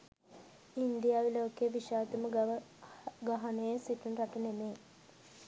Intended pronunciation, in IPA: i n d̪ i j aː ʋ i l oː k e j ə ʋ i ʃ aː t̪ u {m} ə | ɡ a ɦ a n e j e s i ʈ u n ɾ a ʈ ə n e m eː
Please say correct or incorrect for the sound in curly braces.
correct